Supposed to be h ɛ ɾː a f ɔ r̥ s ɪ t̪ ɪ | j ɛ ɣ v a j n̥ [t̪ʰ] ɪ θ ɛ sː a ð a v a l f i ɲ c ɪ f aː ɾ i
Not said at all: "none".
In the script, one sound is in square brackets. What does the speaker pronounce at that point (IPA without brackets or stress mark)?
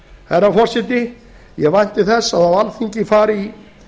t̪